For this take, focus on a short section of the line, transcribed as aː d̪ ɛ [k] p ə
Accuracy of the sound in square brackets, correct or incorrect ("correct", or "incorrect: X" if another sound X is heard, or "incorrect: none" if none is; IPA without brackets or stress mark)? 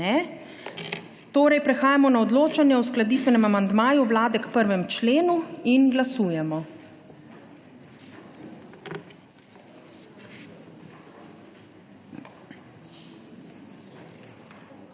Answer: correct